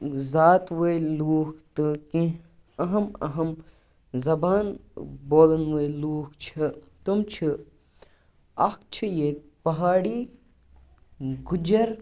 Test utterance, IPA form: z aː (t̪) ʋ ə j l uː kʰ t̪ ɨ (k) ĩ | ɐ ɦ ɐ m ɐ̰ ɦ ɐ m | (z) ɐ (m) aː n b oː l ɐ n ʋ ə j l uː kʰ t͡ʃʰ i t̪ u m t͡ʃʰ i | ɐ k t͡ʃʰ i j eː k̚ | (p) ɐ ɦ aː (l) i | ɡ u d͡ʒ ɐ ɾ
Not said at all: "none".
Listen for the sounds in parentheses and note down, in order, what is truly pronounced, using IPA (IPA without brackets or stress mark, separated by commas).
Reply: t̪, k, z, b, p, ɽ